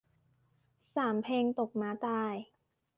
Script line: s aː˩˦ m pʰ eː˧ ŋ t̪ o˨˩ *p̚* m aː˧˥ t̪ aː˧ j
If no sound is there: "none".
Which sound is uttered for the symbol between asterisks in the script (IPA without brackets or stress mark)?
k̚